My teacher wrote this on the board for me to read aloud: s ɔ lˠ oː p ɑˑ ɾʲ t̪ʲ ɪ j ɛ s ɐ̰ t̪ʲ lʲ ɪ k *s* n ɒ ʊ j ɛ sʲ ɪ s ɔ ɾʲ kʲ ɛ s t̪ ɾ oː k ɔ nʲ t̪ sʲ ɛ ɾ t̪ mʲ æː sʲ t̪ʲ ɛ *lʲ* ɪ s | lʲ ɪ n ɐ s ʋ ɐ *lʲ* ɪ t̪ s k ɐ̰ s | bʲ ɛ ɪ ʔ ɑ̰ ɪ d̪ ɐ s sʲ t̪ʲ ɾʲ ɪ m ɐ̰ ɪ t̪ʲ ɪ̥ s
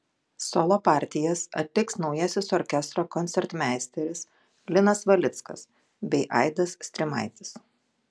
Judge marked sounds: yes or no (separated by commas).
yes, no, yes